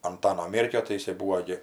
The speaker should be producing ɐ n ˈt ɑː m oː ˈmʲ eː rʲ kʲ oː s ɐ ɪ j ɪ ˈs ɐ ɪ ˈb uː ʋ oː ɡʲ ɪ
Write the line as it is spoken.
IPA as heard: ɐ n ˈt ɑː n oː ˈmʲ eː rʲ kʲ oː t ɐ ɪ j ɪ ˈs ɐ ɪ ˈb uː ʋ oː ɡʲ ɪ